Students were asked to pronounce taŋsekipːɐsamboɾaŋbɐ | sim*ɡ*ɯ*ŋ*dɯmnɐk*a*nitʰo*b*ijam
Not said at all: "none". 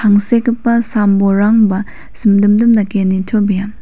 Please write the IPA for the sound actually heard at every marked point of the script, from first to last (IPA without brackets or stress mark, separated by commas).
d, m, e, b